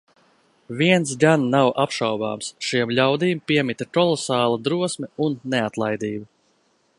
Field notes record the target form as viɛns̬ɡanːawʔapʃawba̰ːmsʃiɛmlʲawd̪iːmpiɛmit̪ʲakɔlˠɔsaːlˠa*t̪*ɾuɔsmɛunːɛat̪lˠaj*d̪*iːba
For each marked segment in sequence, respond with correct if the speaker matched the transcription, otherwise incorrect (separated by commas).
incorrect, correct